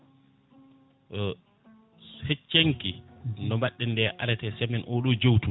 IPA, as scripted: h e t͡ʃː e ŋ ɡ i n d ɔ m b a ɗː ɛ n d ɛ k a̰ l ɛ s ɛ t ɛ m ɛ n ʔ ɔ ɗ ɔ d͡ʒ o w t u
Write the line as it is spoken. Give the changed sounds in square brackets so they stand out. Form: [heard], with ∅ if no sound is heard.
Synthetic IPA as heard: h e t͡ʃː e ŋ [k] i n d ɔ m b a ɗː ɛ n d ɛ [ʔ] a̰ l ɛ [t] ɛ [s] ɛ m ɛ n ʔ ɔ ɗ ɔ d͡ʒ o w t u